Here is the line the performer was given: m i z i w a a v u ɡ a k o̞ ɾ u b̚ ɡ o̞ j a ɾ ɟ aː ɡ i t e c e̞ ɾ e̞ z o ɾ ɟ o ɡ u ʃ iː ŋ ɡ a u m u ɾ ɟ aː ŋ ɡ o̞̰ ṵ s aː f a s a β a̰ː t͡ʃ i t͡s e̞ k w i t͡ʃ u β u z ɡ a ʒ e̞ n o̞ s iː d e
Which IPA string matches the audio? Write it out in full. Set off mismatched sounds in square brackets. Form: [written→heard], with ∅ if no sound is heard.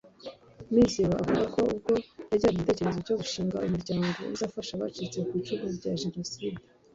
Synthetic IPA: m i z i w a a v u ɡ a k o̞ [ɾ→∅] u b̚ ɡ o̞ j a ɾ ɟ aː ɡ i t e c e̞ ɾ e̞ z o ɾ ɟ o ɡ u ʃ iː ŋ ɡ a u m u ɾ ɟ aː ŋ ɡ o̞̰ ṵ [s→z] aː f a [s→ʃ] a β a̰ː t͡ʃ i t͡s e̞ k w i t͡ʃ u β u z [ɡ→ɟ] a ʒ e̞ n o̞ s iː d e

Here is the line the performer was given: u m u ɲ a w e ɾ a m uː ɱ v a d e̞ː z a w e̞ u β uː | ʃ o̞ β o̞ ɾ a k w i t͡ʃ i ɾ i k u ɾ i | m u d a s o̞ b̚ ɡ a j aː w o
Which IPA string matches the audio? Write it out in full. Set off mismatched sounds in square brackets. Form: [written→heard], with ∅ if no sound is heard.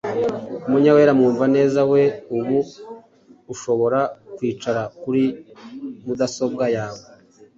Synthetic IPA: u m u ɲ a w e ɾ a m uː ɱ v a [d→n] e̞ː z a w e̞ u β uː | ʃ o̞ β o̞ ɾ a k w [i→iː] t͡ʃ [i→a] ɾ [i→a] k u ɾ i | m u d a s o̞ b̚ ɡ a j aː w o

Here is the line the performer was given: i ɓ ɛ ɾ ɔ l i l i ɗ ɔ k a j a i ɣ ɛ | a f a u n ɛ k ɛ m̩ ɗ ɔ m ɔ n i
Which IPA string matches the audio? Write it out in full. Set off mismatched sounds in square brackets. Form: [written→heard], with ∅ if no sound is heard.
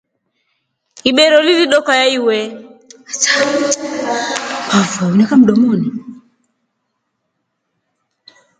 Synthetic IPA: i ɓ ɛ ɾ ɔ l i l i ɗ ɔ k a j a i [ɣ→w] ɛ | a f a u n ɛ k [ɛ→a] m̩ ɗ ɔ m ɔ n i

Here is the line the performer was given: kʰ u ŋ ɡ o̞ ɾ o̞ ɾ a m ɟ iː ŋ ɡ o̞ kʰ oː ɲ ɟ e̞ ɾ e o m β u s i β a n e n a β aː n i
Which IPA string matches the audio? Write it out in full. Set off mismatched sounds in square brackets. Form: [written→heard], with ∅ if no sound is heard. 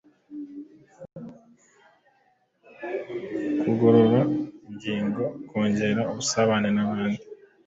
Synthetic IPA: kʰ u [ŋ→∅] ɡ o̞ ɾ o̞ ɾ a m ɟ iː ŋ ɡ o̞ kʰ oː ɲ ɟ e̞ ɾ [e→a] o [m→∅] β u s [i→a] β a n e n a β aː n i

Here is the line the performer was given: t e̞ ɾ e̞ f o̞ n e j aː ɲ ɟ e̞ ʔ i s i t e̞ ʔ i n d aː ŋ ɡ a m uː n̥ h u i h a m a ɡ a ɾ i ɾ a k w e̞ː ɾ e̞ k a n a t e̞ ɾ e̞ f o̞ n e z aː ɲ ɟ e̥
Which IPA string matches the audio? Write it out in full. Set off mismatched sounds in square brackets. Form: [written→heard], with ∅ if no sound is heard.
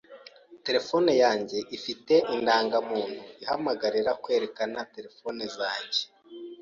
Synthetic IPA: t e̞ ɾ e̞ f o̞ n e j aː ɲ ɟ e̞ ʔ i [s→f] i t e̞ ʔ i n d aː ŋ ɡ a m uː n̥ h u i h a m a ɡ a ɾ i ɾ a k w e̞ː ɾ e̞ k a n a t e̞ ɾ e̞ f o̞ n e z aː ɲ ɟ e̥

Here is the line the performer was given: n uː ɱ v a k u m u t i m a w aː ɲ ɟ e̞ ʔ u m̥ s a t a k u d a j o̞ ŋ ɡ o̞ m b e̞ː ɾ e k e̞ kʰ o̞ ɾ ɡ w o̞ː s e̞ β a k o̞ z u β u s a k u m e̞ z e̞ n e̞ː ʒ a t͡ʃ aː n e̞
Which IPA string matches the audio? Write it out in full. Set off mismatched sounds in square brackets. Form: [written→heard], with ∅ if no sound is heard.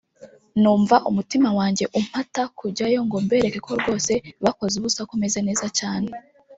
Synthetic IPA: n uː ɱ v a [k→ʔ] u m u t i m a w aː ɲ ɟ e̞ ʔ u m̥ [s→h] a t a k u [d→ɟ] a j o̞ ŋ ɡ o̞ m b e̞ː ɾ e k e̞ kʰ o̞ ɾ ɡ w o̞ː s e̞ β a k o̞ z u β u s a k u m e̞ z e̞ n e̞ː [ʒ→z] a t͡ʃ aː n e̞

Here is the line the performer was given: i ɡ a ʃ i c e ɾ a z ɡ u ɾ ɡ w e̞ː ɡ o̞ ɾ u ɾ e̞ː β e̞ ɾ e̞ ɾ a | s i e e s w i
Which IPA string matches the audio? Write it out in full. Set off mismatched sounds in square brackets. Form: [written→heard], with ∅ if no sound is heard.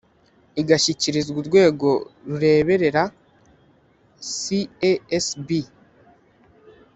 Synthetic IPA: i ɡ a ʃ i c [e→i] ɾ [a→i] z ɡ u ɾ ɡ w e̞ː ɡ o̞ ɾ u ɾ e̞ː β e̞ ɾ e̞ ɾ a | s i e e s [w→b] i

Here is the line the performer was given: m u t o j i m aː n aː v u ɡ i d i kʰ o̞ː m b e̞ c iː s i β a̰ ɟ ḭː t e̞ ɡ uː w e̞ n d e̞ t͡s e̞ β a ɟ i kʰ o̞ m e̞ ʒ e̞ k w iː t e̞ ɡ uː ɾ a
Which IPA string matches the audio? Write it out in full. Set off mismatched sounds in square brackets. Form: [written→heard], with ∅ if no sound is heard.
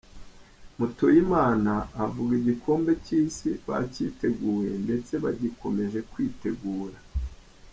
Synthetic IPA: m u t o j i m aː n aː v u ɡ i [d→ɟ] i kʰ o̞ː m b e̞ c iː s i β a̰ [ɟ→c] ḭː t e̞ ɡ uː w e̞ n d e̞ t͡s e̞ β a ɟ i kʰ o̞ m e̞ ʒ e̞ k w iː t e̞ ɡ uː ɾ a

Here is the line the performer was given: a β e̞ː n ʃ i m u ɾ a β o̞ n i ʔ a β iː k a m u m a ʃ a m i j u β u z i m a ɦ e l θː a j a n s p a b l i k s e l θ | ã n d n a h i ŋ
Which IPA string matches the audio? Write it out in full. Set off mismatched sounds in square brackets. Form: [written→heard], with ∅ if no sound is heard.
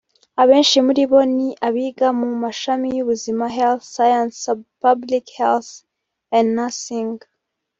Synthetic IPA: a β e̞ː n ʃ i m u ɾ [a→i] β o̞ n i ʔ a β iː [k→ɡ] a m u m a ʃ a m i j u β u z i m a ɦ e l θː a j a n s p a b l i k [s→h] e l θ | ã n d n a [h→s] i ŋ

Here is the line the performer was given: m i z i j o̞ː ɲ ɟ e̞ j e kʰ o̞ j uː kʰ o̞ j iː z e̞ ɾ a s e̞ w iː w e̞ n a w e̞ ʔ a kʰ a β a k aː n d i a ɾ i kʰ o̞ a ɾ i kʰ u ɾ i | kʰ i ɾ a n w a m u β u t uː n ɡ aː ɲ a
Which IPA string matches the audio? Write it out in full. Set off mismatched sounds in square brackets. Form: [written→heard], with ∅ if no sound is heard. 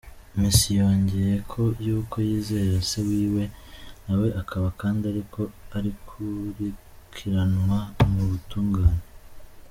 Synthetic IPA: m i [z→s] i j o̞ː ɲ ɟ e̞ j e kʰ o̞ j uː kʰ o̞ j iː z e̞ ɾ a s e̞ w iː w e̞ n a w e̞ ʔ a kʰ a β a k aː n d i a ɾ i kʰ o̞ a ɾ i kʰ u ɾ i | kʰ i ɾ a n w a m u β u t uː [n→ŋ] ɡ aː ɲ [a→e]

